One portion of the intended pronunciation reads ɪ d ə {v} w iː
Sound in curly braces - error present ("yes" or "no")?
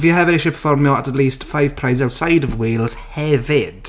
no